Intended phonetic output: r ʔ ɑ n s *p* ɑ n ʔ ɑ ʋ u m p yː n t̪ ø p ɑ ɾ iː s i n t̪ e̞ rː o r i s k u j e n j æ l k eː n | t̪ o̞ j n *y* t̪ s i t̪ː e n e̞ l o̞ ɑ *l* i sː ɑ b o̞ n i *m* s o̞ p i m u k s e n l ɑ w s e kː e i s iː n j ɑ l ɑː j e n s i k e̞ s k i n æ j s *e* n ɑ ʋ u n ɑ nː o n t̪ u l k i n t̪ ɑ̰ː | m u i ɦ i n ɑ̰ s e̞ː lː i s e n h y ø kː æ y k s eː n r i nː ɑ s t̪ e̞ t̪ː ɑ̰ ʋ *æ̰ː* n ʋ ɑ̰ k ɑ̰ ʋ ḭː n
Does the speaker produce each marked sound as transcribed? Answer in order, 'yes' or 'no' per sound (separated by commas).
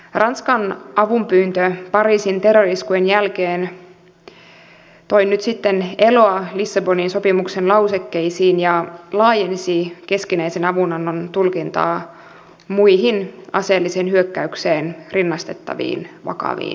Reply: no, yes, yes, no, yes, no